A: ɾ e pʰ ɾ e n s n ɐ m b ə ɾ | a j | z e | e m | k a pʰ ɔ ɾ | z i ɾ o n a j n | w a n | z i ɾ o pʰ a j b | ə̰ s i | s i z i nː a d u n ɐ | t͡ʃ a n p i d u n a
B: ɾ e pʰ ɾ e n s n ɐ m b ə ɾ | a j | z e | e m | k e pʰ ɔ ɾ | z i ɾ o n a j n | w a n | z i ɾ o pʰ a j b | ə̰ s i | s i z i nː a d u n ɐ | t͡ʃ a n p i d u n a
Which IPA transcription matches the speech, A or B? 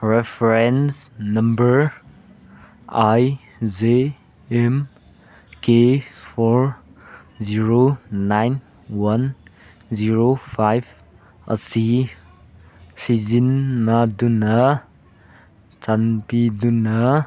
B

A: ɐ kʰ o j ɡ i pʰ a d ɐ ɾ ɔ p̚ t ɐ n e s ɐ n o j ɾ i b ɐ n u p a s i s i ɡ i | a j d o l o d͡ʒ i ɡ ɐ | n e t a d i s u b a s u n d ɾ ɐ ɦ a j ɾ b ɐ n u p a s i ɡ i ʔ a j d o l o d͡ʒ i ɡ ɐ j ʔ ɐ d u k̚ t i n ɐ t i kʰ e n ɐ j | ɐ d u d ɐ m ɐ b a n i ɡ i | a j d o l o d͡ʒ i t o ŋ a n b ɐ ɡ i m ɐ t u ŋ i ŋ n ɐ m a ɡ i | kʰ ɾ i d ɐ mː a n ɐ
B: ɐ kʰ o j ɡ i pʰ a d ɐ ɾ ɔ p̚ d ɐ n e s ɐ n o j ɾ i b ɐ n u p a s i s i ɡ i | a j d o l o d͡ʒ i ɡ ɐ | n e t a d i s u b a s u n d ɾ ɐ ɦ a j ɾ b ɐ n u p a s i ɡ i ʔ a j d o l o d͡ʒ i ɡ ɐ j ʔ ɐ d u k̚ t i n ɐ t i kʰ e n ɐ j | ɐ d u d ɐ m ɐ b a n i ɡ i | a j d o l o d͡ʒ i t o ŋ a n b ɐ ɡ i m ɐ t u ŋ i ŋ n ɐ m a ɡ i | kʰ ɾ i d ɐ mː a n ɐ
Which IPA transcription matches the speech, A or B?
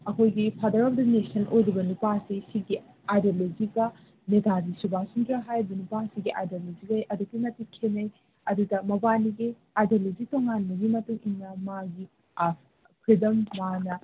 B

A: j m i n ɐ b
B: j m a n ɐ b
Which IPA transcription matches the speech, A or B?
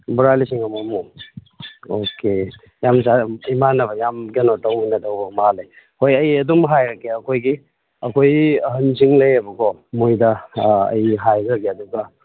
B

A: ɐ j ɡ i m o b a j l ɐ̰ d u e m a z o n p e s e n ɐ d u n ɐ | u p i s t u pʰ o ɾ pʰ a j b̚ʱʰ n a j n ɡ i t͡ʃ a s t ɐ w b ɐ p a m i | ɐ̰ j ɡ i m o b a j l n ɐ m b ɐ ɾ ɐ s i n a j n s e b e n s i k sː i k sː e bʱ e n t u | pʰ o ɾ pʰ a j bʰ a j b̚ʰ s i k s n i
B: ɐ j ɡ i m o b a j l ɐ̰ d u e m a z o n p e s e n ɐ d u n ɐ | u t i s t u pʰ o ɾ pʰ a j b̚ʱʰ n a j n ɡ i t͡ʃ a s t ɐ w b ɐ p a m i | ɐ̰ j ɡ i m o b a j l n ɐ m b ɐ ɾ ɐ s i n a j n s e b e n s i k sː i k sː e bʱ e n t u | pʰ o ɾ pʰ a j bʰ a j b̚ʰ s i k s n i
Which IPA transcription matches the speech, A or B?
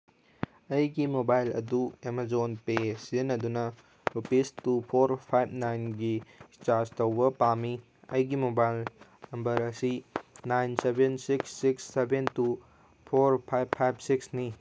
A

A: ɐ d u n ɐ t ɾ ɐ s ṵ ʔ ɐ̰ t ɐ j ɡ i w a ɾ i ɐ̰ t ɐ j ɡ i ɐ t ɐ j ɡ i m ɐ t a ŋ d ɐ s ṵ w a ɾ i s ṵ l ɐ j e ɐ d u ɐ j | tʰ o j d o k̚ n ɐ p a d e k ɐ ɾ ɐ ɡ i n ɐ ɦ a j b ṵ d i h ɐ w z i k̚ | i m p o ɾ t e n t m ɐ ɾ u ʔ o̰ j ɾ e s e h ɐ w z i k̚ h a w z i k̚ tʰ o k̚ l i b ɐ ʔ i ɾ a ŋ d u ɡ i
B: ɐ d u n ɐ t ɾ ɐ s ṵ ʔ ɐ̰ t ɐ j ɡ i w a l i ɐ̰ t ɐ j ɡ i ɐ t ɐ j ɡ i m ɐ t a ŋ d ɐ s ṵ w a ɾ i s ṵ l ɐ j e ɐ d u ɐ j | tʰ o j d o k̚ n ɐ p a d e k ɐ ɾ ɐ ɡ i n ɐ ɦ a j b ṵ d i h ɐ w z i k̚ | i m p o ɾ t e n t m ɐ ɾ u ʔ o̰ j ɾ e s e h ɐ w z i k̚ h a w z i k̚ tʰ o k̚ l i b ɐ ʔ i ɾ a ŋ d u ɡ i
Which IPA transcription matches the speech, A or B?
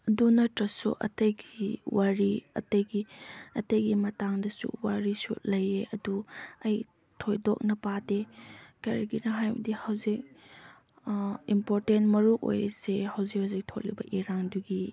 A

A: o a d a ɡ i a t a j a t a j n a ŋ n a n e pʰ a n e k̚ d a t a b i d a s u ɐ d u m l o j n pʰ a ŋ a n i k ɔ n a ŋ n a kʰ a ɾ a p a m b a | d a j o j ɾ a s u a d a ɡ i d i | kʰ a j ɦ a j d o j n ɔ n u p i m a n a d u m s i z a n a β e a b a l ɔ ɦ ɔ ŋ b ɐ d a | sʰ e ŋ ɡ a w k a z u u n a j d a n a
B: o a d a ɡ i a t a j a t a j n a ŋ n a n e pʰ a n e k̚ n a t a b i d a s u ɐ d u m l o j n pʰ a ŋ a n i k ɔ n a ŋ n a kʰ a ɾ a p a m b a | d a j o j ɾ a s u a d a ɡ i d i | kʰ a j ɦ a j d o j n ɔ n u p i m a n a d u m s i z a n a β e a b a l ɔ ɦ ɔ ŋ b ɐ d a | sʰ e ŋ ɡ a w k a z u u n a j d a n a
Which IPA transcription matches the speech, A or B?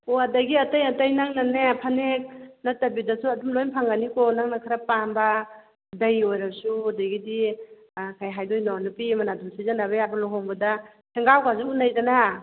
B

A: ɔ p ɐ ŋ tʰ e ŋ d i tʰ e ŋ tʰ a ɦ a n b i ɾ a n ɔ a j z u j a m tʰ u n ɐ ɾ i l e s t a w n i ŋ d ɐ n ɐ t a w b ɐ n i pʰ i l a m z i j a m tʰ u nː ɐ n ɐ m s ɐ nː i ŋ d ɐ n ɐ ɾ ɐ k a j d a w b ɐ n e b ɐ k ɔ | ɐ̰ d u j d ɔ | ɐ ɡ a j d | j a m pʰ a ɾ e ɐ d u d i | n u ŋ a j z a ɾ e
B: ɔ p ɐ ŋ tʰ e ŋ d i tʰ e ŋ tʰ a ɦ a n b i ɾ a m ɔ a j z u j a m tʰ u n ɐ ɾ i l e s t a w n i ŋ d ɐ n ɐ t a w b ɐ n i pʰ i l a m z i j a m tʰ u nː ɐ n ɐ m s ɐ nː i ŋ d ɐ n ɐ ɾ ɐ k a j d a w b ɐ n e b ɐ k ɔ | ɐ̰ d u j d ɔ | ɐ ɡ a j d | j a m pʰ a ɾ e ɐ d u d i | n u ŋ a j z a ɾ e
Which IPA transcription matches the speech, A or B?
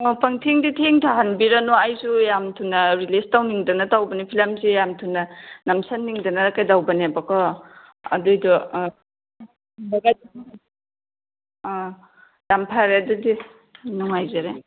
A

